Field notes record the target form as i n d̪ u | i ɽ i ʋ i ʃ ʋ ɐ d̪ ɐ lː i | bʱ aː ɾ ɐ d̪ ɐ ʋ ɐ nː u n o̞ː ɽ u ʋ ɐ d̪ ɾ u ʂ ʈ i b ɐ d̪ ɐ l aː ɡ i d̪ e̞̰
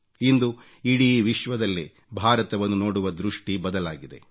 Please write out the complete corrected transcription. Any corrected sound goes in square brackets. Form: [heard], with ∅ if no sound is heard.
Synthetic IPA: i n d̪ u | i ɽ i ʋ i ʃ ʋ ɐ d̪ ɐ lː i | bʱ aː ɾ ɐ [t̪] ɐ ʋ ɐ nː u n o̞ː ɽ u ʋ ɐ d̪ ɾ u ʂ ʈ i b ɐ d̪ ɐ l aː ɡ i d̪ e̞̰